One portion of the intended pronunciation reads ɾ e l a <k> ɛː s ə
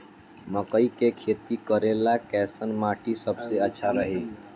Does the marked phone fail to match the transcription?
no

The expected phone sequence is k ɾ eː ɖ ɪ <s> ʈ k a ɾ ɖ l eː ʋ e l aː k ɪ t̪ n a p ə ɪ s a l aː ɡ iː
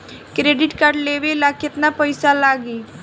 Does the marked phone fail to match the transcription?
yes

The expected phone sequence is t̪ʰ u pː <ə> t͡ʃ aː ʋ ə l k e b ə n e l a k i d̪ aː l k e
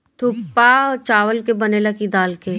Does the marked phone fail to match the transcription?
yes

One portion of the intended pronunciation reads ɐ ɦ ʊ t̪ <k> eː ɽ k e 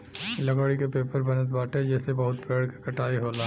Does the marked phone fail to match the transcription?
yes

